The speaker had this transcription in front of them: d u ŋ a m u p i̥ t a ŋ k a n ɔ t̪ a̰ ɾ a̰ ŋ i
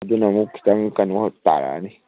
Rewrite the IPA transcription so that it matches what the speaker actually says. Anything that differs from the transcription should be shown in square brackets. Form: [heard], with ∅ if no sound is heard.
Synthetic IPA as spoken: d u [n] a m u [k] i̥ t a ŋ k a n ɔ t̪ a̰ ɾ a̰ [n] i